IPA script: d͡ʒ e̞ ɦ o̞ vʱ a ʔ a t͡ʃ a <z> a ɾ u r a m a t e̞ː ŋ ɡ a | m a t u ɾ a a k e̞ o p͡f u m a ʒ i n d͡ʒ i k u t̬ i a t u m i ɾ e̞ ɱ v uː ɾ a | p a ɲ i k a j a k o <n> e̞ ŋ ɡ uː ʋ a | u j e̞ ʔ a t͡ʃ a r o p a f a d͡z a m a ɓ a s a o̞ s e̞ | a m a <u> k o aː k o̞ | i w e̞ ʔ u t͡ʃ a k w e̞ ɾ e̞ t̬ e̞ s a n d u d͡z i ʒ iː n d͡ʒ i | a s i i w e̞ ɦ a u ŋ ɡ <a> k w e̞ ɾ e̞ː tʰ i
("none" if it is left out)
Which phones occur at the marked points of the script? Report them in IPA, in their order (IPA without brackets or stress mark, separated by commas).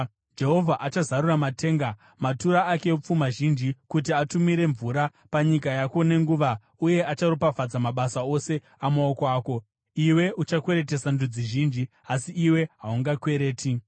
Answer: z, n, o, a